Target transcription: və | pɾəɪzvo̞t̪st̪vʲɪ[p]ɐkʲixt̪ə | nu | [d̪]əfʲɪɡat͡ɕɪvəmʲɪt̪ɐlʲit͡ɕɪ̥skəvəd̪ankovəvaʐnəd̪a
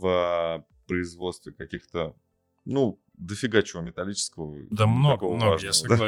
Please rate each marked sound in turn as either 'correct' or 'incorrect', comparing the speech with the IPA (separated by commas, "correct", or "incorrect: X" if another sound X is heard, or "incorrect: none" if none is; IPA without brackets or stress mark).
incorrect: k, correct